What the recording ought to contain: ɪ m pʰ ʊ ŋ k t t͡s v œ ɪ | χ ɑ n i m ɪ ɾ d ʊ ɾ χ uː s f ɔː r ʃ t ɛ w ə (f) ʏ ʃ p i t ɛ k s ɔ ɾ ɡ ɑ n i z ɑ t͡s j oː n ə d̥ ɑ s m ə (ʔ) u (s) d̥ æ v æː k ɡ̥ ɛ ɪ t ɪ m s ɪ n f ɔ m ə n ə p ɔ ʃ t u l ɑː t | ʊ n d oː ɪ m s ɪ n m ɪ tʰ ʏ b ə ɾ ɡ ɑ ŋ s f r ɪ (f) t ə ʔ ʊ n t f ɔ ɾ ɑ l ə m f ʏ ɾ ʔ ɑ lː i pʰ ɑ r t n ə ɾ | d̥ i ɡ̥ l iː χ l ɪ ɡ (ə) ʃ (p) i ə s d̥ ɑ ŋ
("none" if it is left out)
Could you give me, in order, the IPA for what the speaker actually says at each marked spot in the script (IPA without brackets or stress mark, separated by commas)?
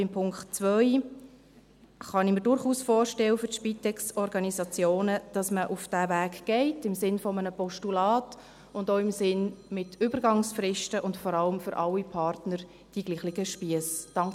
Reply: f, ʔ, f, ʃ, ə, p